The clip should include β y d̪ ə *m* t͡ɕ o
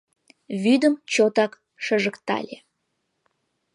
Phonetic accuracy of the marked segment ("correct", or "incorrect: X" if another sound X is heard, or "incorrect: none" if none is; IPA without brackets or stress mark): correct